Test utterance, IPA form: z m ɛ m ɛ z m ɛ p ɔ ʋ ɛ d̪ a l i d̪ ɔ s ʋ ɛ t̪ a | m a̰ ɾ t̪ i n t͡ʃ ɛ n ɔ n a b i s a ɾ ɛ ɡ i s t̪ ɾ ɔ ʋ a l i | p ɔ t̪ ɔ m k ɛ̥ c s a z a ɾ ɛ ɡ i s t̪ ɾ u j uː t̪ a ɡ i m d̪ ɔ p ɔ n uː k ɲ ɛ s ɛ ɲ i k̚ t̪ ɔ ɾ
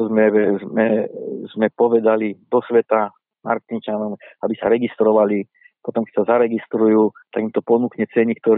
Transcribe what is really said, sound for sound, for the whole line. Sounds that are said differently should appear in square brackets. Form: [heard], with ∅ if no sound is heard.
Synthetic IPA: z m ɛ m ɛ z m ɛ p ɔ ʋ ɛ d̪ a l i d̪ ɔ s ʋ ɛ t̪ a | m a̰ ɾ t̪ i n t͡ʃ [a] n ɔ [m] a b i s a ɾ ɛ ɡ i s t̪ ɾ ɔ ʋ a l i | p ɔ t̪ ɔ m k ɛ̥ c s a z a ɾ ɛ ɡ i s t̪ ɾ u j uː t̪ a ɡ i m [t̪] ɔ p ɔ n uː k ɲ ɛ [t͡s] ɛ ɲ i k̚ t̪ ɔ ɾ